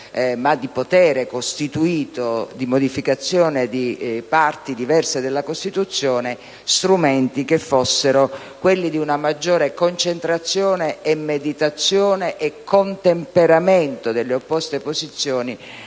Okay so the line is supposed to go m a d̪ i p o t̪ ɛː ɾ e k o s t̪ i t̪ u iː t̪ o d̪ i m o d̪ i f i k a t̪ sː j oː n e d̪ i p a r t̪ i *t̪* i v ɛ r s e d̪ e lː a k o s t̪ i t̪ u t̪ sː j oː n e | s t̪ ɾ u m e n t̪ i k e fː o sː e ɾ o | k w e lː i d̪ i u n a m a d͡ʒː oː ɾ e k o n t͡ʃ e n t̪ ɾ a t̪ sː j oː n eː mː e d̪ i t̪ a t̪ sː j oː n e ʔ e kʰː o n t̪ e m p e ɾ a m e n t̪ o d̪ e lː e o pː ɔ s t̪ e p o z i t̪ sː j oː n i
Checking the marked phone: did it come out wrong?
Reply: yes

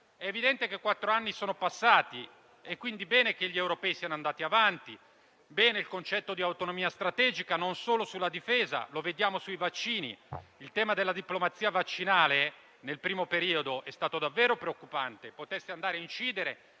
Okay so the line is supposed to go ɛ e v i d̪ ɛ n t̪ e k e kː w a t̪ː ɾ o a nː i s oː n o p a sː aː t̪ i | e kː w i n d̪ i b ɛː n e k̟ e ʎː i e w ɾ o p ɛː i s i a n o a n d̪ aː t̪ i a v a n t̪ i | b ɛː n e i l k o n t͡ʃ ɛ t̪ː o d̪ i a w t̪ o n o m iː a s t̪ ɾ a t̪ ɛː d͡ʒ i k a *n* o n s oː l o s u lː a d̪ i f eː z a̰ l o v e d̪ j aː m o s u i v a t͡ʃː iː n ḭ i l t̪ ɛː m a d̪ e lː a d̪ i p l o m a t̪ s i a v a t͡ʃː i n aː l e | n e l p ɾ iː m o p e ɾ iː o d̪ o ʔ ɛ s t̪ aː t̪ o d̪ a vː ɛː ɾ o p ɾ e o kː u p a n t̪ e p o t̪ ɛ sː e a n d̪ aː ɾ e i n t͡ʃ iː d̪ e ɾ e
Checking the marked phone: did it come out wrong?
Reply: no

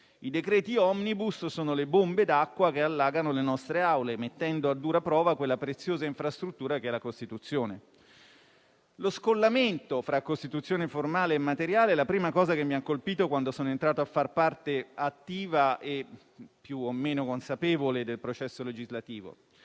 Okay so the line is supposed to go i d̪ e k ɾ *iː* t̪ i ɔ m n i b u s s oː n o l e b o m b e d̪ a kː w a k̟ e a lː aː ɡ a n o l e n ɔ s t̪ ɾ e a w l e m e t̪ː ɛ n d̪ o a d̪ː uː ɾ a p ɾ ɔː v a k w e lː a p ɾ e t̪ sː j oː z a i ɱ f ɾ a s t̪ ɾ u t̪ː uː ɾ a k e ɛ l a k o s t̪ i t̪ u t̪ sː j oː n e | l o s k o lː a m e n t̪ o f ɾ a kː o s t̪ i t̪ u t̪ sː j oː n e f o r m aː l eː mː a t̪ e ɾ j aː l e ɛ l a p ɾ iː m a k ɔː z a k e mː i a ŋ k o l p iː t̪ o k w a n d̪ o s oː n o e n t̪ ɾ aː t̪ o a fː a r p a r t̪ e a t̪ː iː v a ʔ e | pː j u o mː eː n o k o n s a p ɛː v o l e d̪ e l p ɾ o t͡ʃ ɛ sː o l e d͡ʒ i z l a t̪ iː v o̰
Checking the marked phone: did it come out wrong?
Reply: yes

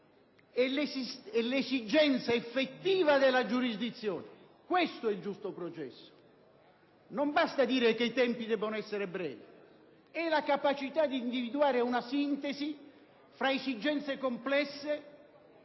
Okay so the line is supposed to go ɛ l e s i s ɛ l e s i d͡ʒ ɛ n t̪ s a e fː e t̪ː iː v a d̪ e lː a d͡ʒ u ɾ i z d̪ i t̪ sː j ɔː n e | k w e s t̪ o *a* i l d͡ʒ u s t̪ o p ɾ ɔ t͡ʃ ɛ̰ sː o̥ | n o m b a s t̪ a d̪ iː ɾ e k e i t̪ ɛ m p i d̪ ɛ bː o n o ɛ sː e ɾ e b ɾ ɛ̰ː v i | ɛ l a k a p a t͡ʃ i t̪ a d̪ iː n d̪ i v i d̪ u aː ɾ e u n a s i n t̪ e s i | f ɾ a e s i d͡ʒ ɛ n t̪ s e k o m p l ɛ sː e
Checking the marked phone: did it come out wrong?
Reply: yes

